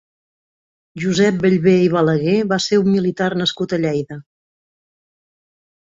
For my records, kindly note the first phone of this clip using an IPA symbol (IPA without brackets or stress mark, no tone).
ʒ